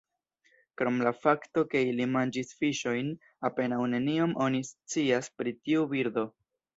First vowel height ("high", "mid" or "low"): mid